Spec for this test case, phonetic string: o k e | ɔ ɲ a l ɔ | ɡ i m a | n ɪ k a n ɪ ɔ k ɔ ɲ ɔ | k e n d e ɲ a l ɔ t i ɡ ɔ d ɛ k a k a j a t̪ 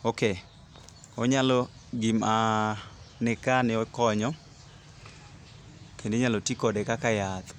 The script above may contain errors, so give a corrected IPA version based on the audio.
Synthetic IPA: o k e | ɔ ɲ a l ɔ | ɡ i m a | n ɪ k a n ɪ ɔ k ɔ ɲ ɔ | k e n d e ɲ a l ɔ t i k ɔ d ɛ k a k a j a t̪

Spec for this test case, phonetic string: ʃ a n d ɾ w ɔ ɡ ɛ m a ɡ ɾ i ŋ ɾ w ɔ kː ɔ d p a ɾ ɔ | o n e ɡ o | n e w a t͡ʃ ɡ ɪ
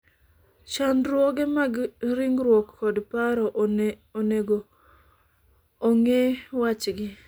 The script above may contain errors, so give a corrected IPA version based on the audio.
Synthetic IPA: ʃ a n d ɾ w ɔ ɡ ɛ m a ɡ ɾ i ŋ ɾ w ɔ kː ɔ d p a ɾ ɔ | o n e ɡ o | ŋ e w a t͡ʃ ɡ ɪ

